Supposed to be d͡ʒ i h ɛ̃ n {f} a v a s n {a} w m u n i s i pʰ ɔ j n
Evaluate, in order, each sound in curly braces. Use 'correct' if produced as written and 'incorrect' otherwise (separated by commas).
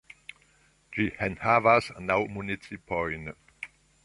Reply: incorrect, correct